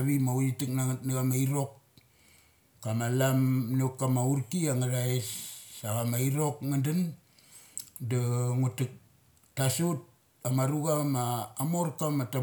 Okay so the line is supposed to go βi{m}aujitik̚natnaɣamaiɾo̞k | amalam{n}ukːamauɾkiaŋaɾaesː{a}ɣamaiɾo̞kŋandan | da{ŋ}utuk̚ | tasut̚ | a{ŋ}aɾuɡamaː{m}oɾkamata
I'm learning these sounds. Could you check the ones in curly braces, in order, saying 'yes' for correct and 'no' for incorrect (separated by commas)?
yes, yes, yes, yes, no, yes